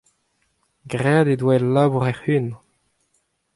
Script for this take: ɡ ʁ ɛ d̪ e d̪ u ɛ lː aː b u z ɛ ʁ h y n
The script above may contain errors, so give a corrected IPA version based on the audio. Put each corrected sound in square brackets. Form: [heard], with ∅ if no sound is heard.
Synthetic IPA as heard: ɡ ʁ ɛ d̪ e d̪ [w] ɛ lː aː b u [ʁ] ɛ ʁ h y n